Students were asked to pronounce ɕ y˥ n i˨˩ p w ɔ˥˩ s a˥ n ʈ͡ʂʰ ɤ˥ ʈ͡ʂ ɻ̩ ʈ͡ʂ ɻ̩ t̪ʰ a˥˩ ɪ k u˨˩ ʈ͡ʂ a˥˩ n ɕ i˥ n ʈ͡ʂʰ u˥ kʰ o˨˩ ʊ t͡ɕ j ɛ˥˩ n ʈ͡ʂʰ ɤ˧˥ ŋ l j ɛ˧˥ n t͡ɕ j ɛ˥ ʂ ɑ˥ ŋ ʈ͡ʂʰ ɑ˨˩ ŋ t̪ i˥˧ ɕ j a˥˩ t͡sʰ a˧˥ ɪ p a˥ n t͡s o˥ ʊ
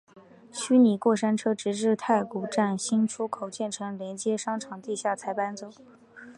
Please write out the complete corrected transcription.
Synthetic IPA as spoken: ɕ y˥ n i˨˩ k w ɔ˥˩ ʂ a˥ n ʈ͡ʂʰ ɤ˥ ʈ͡ʂ ɻ̩ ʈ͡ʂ ɻ̩ t̪ʰ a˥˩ ɪ k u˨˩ ʈ͡ʂ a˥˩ n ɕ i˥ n ʈ͡ʂʰ u˥ kʰ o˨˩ ʊ t͡ɕ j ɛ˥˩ n ʈ͡ʂʰ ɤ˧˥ ŋ l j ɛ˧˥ n t͡ɕ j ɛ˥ ʂ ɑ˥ ŋ ʈ͡ʂʰ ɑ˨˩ ŋ t̪ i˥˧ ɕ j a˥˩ t͡sʰ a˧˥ ɪ p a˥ n t͡s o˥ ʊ